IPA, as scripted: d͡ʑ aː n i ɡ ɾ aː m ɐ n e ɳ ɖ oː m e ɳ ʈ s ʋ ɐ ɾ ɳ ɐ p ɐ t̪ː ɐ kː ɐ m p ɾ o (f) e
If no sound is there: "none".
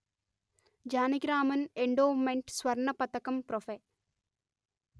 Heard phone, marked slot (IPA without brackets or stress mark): f